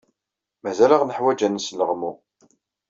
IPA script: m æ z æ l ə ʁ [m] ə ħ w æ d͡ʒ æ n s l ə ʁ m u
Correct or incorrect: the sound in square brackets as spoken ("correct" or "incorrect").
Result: incorrect